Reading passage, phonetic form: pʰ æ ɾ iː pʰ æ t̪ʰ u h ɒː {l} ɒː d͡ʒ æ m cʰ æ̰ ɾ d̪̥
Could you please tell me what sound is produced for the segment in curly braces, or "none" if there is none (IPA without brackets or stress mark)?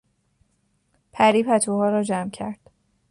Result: ɾ